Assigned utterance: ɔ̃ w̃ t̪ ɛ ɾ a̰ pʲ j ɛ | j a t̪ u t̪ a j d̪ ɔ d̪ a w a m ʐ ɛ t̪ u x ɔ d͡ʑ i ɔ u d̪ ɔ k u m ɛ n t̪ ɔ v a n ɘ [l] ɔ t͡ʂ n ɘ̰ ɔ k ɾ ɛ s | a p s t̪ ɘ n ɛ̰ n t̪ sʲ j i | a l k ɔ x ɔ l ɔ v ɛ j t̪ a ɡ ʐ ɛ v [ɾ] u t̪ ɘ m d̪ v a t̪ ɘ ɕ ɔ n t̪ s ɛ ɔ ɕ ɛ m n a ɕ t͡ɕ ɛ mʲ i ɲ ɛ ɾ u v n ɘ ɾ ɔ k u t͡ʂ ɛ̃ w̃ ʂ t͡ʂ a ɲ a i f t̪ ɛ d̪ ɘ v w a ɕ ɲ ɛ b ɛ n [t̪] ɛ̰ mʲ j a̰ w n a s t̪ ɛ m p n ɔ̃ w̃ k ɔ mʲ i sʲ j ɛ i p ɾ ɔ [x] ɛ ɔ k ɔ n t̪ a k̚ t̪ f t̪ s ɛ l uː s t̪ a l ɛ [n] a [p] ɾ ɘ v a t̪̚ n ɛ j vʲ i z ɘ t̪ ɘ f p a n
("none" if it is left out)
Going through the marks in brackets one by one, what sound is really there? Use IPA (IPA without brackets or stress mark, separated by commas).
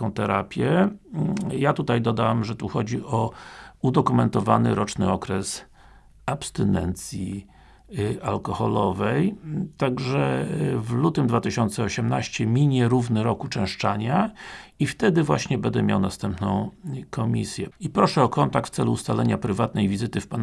ɾ, l, d̪, ʂ, ɲ, p